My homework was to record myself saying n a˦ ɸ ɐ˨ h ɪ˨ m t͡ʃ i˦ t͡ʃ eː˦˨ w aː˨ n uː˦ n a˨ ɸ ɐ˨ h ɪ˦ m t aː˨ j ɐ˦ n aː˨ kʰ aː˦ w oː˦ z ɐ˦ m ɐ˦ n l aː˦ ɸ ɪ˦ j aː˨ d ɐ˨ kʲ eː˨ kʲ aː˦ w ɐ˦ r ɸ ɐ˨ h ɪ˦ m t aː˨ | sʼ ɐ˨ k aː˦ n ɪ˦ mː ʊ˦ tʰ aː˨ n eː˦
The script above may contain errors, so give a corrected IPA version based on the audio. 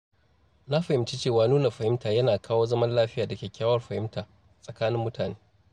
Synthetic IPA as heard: n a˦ ɸ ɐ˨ h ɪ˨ m t͡ʃ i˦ t͡ʃ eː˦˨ w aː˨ n uː˦ n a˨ ɸ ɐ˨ h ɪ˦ m t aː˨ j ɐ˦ n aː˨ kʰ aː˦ w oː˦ z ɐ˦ m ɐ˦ n l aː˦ ɸ ɪ˦ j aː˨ d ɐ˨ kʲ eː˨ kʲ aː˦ w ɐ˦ r ɸ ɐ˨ h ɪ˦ m t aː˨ | sʼ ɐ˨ k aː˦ n ɪ˦ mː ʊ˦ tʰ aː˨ n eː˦